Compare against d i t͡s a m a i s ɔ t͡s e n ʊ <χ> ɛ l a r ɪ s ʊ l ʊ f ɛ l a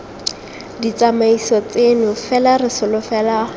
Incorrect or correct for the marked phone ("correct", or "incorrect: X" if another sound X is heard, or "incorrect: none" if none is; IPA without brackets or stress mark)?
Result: incorrect: f